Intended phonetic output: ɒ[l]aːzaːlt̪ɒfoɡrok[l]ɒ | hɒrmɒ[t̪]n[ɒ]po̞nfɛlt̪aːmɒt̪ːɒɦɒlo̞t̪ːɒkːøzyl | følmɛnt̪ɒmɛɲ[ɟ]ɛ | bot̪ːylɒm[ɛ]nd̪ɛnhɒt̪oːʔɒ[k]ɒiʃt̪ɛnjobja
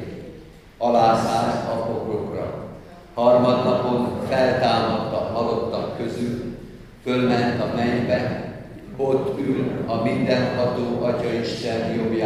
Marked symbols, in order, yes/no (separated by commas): yes, no, no, yes, no, no, no